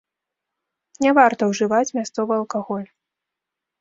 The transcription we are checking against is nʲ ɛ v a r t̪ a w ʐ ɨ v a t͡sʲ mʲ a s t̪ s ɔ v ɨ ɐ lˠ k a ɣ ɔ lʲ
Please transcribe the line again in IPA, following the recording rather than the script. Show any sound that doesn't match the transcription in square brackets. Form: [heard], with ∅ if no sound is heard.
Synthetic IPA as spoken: nʲ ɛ v a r t̪ [ɐ] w ʐ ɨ v a t͡sʲ mʲ a s t̪ s ɔ v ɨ ɐ lˠ k a ɣ ɔ lʲ